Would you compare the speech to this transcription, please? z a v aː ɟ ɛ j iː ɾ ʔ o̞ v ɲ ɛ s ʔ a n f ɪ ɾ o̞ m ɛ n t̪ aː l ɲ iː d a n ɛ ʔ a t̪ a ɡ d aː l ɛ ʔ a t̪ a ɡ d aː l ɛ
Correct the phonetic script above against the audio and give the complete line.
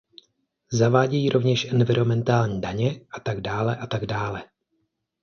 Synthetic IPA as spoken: z a v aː ɟ ɛ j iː ɾ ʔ o̞ v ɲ ɛ ʃ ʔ ɛ n v ɪ ɾ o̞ m ɛ n t̪ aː l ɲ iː d a ɲ ɛ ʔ a t̪ a ɡ d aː l ɛ ʔ a t̪ a ɡ d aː l ɛ